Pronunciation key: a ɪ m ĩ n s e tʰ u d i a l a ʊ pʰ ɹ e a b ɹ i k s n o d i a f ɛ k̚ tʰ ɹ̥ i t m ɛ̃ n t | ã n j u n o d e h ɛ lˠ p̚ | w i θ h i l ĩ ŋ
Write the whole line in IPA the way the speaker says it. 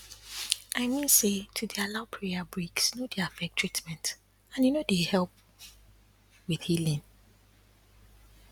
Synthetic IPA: a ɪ m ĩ n s e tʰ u d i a l a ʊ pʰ ɹ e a b ɹ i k s n o d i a f ɛ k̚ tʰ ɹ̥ i t m ɛ̃ n t | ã n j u n o d e h ɛ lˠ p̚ | w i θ h i l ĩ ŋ